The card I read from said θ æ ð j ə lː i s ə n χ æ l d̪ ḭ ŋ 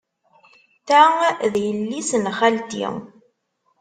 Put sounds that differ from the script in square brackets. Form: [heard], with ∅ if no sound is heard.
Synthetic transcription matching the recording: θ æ ð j ə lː i s ə n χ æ l [t̪] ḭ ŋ